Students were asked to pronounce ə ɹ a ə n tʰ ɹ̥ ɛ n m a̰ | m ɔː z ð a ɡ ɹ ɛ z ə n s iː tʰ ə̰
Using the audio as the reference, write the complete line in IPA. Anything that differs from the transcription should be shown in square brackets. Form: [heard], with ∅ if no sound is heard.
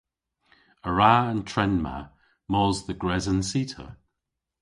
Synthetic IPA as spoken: ə ɹ a ə n tʰ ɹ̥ ɛ n m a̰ | m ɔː z ð [ə] ɡ ɹ ɛ z ə n s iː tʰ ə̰